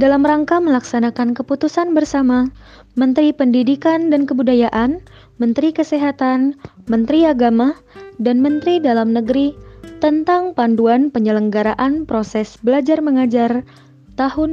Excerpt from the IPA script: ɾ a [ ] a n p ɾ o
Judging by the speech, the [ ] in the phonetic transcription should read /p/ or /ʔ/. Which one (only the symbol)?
ʔ